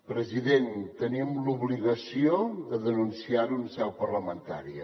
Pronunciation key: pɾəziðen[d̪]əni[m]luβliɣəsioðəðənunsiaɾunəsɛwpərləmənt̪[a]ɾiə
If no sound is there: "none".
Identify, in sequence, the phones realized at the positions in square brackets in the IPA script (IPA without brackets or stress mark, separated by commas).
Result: t̪, m, a